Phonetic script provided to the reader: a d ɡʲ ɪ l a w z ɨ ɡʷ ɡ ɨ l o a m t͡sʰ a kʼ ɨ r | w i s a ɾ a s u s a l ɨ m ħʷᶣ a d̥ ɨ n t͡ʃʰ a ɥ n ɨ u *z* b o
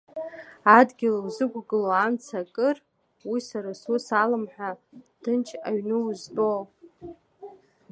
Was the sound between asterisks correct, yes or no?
yes